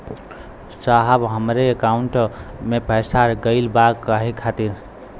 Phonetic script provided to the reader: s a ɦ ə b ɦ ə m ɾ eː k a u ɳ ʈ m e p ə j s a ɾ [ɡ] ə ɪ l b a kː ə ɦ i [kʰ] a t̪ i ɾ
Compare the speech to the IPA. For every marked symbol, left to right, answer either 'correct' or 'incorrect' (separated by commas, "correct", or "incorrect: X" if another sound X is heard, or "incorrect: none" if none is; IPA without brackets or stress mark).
correct, correct